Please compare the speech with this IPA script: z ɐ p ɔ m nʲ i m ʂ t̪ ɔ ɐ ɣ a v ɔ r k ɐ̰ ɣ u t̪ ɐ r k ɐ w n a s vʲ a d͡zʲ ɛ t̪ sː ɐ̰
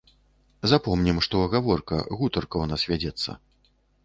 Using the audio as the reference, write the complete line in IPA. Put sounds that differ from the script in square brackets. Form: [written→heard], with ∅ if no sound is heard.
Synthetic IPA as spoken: z [ɐ→a] p ɔ m nʲ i m ʂ t̪ ɔ ɐ ɣ a v ɔ r k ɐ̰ ɣ u t̪ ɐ r k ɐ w n a s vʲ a d͡zʲ ɛ t̪ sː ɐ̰